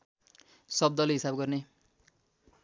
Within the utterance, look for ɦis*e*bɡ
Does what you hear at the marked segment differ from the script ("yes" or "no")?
yes